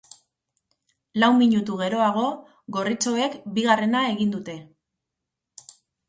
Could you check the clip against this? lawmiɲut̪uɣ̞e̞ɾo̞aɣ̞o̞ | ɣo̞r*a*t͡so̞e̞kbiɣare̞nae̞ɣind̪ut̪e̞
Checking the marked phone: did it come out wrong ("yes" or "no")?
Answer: yes